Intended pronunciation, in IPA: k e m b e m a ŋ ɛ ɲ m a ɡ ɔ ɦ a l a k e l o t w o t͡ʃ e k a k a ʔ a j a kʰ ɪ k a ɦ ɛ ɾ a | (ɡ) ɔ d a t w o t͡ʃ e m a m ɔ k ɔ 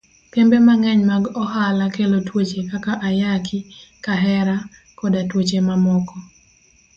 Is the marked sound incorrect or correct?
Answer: incorrect